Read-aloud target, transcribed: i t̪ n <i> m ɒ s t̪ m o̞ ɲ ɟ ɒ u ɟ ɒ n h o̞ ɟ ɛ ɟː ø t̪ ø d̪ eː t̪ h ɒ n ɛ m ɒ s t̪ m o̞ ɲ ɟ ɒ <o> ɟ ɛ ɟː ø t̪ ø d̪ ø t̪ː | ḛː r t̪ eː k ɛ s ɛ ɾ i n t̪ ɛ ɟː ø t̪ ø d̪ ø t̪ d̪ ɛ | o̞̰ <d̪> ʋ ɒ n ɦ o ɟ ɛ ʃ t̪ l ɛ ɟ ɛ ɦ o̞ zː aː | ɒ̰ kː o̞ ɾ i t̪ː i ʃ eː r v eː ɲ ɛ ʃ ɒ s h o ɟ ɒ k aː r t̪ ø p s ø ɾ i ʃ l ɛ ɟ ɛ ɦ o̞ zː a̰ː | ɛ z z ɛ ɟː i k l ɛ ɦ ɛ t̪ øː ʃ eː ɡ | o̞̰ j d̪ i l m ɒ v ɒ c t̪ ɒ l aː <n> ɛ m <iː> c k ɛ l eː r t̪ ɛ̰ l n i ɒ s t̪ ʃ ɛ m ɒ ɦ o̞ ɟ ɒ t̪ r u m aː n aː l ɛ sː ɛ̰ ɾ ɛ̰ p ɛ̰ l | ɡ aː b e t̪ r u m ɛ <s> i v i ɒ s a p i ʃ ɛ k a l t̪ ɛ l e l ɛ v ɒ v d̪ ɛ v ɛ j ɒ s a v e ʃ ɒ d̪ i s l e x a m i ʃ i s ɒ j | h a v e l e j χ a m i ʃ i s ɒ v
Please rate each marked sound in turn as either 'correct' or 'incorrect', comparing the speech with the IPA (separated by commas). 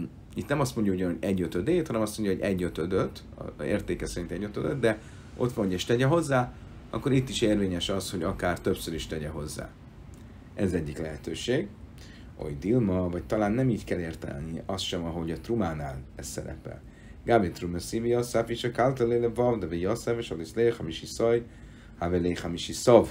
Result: incorrect, correct, incorrect, incorrect, correct, correct